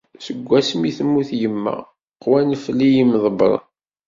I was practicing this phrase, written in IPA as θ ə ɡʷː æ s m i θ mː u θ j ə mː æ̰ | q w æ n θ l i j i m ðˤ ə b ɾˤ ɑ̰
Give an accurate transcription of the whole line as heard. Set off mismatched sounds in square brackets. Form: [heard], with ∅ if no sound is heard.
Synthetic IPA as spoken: [s] ə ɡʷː æ s m i θ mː u θ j ə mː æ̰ | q w æ n [f] l i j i m ðˤ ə b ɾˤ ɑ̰

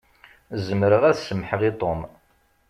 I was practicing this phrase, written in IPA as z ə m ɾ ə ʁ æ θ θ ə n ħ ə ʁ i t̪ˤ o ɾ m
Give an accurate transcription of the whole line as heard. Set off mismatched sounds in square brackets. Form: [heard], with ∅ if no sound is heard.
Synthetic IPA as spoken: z ə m ɾ ə ʁ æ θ [s] ə [m] ħ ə ʁ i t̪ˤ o [∅] m

